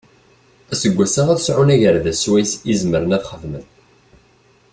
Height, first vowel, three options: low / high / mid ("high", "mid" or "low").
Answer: low